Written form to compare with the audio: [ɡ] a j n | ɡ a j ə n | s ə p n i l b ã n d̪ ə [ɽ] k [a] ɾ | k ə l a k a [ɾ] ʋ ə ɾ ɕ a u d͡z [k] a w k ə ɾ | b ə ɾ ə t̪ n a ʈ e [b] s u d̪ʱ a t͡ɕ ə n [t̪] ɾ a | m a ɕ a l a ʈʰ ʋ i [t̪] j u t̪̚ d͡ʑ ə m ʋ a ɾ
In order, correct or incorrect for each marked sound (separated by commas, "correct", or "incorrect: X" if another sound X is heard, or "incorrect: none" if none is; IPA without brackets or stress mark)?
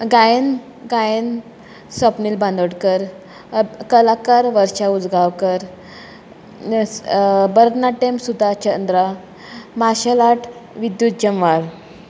correct, correct, incorrect: ə, correct, incorrect: ɡ, incorrect: m, incorrect: d̪, incorrect: d̪